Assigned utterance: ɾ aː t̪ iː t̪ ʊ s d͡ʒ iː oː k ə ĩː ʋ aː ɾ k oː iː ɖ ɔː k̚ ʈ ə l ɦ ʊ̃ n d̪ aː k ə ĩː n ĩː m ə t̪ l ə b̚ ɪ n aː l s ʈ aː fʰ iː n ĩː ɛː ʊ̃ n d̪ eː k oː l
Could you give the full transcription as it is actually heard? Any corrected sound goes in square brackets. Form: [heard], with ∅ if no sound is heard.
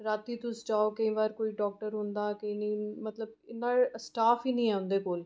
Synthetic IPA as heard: ɾ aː t̪ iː t̪ ʊ s d͡ʒ [aː] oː k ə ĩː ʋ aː ɾ k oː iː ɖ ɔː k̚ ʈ ə [ɾ] ɦ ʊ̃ n d̪ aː k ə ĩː n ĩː m ə t̪ l ə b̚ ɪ n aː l s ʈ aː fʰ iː n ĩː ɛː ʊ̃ n d̪ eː k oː l